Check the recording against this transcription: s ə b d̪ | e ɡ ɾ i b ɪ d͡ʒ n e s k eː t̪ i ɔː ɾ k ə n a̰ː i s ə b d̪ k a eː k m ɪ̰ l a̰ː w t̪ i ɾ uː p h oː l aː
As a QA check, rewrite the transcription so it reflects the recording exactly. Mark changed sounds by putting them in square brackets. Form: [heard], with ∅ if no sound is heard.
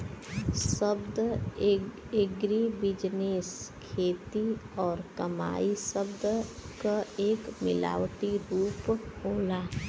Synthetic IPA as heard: s ə b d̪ | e ɡ ɾ i b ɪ d͡ʒ n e s [kʰ] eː t̪ i ɔː ɾ k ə [m] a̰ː i s ə b d̪ k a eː k m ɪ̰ l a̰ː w t̪ i ɾ uː p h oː l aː